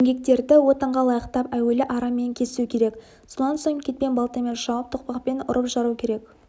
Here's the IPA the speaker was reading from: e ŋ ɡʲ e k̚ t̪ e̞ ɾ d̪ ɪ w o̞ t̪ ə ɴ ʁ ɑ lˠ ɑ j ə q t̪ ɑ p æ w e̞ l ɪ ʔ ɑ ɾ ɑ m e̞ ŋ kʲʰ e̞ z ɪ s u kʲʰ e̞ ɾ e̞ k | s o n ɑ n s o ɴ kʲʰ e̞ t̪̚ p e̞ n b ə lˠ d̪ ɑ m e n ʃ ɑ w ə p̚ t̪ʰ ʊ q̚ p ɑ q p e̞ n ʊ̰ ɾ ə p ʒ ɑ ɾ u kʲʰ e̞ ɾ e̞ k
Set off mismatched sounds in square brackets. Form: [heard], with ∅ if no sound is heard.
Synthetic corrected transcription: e ŋ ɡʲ e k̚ t̪ e̞ ɾ d̪ ɪ w o̞ t̪ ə ɴ ʁ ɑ lˠ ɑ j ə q t̪ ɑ p æ w e̞ l ɪ ʔ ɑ ɾ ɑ m e̞ ŋ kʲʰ e̞ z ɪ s u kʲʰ e̞ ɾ e̞ k | s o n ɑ n s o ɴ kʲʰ e̞ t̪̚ p e̞ n b [ɑ] lˠ [t̪] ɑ m e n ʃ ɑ w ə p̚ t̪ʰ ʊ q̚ p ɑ q p e̞ n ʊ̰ ɾ ə p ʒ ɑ ɾ u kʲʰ e̞ ɾ e̞ k